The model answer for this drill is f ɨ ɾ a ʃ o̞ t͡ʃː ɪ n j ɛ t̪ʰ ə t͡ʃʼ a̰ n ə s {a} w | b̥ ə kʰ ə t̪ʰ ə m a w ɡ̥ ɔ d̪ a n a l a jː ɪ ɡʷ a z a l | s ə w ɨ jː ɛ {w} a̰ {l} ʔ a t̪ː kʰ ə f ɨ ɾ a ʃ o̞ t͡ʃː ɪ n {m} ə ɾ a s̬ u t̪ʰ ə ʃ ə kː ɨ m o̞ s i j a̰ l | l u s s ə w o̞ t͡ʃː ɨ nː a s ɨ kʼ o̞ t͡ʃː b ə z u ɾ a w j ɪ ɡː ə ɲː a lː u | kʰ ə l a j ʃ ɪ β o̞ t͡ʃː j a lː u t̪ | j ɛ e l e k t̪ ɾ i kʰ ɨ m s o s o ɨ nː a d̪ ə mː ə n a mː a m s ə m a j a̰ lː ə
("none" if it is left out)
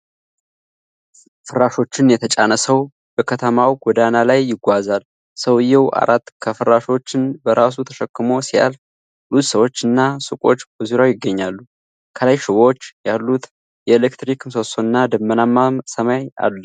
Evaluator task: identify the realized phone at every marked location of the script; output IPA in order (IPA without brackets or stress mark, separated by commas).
ə, w, ɾ, b